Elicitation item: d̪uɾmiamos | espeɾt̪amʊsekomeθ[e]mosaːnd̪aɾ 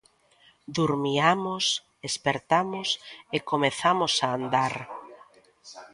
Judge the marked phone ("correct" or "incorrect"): incorrect